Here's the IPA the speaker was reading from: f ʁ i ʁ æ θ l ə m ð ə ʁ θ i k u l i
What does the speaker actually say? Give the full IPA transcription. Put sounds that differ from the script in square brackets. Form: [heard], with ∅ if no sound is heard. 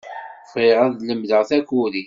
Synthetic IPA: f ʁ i ʁ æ [ð] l ə m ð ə ʁ θ [æ] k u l i